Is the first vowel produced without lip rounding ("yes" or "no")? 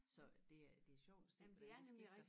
no